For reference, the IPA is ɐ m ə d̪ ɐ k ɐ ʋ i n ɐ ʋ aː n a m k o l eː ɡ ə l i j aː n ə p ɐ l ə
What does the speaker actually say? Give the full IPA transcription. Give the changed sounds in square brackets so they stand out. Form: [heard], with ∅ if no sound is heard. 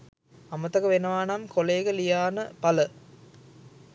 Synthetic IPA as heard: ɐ m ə [t̪] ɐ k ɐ ʋ [e] n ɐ ʋ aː n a m k o l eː ɡ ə l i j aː n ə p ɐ l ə